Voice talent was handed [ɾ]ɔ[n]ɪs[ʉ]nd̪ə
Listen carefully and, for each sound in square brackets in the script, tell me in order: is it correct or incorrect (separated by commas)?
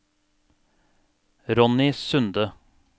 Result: correct, correct, correct